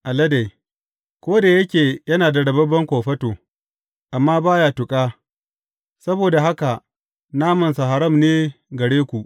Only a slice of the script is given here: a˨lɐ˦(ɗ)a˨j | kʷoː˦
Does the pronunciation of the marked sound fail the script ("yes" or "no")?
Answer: yes